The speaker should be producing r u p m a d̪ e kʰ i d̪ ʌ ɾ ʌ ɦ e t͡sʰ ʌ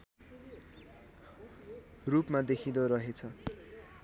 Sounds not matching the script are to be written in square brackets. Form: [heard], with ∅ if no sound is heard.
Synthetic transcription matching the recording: r u p m a d̪ e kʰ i d̪ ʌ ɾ ʌ ɦ e t͡sʰ ʌ